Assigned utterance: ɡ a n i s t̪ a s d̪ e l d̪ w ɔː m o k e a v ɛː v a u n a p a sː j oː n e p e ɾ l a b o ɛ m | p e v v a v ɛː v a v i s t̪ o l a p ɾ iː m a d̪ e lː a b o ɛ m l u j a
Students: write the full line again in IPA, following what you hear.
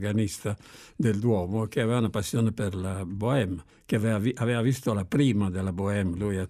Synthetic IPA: ɡ a n i s t̪ a d̪ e l d̪ w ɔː m o k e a v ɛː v a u n a p a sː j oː n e p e ɾ l a b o ɛ m | k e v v a v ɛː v a v i s t̪ o l a p ɾ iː m a d̪ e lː a b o ɛ m l u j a